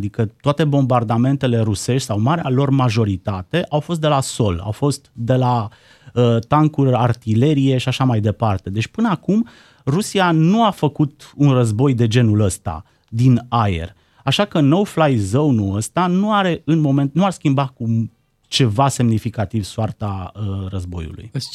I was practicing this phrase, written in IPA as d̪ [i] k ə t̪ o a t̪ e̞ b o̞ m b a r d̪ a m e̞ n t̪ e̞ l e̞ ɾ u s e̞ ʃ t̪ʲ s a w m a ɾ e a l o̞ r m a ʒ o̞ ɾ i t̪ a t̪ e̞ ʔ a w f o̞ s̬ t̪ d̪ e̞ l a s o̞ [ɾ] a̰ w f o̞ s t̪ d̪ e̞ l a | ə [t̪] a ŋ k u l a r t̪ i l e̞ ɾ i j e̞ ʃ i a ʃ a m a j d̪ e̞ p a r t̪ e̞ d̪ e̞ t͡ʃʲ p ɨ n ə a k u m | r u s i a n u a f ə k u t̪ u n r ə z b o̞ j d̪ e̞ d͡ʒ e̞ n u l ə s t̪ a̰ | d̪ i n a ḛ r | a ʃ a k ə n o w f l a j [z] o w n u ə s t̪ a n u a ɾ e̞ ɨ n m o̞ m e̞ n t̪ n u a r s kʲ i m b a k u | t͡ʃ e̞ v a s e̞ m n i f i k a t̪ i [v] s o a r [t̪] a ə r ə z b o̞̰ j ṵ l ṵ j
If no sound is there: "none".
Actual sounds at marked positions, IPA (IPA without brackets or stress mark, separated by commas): i, l, t̪, z, v, t̪